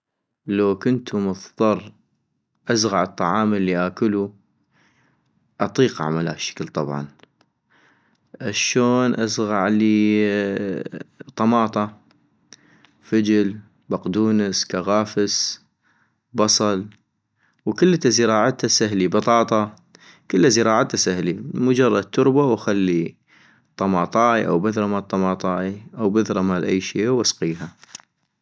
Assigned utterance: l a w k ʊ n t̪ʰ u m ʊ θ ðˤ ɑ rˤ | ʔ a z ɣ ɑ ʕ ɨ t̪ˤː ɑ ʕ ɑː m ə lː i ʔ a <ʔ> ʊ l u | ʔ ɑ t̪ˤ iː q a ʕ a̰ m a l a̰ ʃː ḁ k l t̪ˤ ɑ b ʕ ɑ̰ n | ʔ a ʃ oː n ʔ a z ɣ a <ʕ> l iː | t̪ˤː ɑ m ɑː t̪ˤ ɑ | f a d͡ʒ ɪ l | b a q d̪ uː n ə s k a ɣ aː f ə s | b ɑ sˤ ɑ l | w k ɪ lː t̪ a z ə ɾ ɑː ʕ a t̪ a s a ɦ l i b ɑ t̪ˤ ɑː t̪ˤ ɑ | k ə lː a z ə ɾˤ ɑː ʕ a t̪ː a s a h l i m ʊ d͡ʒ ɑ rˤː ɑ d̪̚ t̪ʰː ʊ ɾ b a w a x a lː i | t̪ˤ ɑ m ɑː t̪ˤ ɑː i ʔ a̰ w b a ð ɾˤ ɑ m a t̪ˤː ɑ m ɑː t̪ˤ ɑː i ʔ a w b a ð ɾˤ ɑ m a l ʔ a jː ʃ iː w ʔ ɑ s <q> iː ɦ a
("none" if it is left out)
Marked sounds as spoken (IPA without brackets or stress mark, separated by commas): k, ʕ, q